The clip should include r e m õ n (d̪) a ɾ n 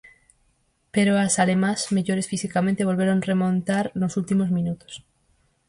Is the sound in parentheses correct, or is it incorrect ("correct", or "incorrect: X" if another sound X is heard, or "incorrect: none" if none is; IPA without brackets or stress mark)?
incorrect: t̪